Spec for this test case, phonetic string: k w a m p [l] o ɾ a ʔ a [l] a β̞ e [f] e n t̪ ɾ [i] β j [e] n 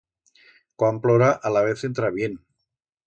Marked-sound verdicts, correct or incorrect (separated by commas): correct, correct, incorrect, incorrect, correct